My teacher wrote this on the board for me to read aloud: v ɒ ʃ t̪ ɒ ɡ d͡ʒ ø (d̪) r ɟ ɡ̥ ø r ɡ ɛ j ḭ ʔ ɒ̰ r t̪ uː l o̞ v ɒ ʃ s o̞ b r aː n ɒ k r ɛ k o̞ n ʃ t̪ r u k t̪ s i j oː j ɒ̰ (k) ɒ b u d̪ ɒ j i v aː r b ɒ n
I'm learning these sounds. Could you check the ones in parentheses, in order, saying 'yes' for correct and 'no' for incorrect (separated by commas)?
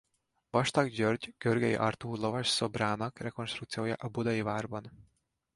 no, no